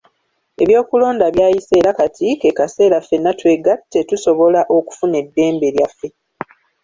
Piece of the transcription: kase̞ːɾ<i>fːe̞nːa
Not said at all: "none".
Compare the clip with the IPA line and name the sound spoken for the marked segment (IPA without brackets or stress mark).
a